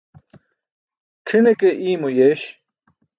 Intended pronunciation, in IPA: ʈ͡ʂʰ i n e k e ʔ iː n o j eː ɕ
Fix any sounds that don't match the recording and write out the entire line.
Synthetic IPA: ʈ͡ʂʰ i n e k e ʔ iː m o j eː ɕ